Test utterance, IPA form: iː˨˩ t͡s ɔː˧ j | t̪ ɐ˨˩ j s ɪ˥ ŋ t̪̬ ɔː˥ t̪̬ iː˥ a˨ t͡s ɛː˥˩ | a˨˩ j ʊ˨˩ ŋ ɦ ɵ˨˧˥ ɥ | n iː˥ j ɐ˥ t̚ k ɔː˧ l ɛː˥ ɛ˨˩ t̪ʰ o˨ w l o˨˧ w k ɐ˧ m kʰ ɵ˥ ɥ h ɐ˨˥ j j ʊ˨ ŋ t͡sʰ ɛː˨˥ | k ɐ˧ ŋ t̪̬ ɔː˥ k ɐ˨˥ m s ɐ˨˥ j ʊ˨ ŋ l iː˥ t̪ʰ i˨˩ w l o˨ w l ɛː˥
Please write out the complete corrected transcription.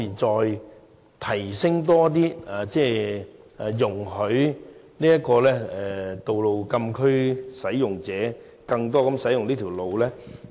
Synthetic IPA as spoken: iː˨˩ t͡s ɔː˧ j | t̪ʰ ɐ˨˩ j s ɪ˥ ŋ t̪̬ ɔː˥ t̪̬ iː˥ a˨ t͡s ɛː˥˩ | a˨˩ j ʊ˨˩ ŋ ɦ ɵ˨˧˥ ɥ | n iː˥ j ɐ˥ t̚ k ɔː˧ l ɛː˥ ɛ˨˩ t̪ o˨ w l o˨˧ w k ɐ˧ m kʰ ɵ˥ ɥ s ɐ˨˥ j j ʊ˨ ŋ t͡s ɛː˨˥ | k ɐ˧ ŋ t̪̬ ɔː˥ k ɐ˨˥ m s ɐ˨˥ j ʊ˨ ŋ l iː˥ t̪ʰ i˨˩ w l o˨ w l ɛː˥